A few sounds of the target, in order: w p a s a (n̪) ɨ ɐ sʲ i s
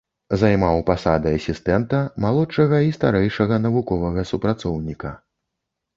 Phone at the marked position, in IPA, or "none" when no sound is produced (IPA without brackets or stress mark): d̪